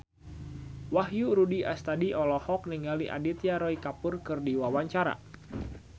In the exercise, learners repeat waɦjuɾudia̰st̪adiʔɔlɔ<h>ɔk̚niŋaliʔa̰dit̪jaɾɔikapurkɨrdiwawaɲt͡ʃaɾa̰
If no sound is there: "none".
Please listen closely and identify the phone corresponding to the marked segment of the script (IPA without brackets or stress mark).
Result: h